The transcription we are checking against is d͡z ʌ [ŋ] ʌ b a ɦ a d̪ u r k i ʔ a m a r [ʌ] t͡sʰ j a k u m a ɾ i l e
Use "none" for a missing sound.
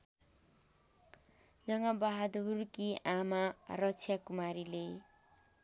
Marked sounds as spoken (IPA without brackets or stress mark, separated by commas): ŋ, ʌ